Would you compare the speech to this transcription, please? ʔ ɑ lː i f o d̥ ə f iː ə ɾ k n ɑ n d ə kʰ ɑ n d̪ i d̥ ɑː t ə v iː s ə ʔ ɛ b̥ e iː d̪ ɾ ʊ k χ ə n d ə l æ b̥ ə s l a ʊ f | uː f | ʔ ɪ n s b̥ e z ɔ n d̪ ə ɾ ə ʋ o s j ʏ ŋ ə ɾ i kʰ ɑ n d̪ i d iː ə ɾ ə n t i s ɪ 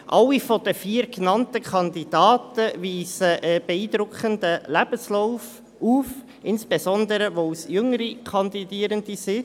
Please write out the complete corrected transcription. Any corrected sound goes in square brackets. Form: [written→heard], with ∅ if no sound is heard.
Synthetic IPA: ʔ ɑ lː i f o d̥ ə f iː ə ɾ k n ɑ n [d→t] ə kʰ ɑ n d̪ i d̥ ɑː t ə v iː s ə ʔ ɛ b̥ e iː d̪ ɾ ʊ k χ ə n d ə l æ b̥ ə s l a ʊ f | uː f | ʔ ɪ n s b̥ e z ɔ n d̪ ə ɾ ə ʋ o s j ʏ ŋ ə ɾ i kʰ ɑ n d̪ i d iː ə ɾ ə n [t→d] i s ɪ